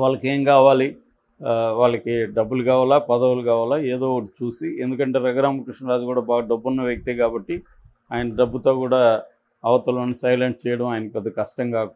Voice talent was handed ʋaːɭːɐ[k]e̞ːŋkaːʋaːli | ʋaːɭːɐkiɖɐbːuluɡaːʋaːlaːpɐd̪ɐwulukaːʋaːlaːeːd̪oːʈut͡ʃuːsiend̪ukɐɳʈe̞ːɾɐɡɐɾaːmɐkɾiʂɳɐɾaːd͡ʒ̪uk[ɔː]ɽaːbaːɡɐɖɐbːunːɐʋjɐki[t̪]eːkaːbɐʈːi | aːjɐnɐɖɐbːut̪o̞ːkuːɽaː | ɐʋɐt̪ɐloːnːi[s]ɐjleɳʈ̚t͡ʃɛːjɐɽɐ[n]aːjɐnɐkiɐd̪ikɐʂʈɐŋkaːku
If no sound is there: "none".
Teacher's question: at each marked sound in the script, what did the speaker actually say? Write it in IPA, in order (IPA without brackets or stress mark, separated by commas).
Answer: k, uː, t̪, s, m